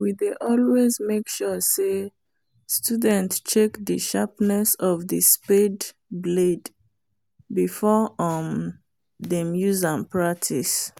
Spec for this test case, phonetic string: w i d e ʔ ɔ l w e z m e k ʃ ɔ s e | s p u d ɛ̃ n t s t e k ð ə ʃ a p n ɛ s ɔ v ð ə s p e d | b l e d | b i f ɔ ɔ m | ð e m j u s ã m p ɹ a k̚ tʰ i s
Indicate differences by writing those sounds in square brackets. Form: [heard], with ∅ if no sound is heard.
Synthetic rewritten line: w i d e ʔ ɔ l w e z m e k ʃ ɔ s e | s [t] u d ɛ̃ n t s [t͡ʃ] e k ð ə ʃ a p n ɛ s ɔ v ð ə s p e d | b l e d | b i f ɔ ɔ m | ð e m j u [z] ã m p ɹ a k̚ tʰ i s